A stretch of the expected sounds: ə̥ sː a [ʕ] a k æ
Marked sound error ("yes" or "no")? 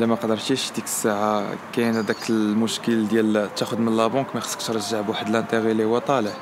no